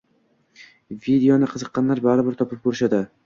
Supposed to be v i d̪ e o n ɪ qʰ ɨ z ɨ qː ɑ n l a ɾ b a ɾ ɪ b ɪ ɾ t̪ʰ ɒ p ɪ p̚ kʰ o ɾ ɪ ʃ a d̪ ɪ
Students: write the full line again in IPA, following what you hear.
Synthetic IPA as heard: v i d̪ e o n ɪ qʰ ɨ z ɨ qː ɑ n l a ɾ b a ɾ ɪ b ɪ ɾ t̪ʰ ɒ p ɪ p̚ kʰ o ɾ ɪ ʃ a d̪ ɪ